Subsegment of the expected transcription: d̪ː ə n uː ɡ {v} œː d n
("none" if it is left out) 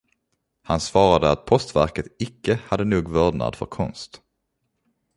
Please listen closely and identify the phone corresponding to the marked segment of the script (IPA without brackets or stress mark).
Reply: v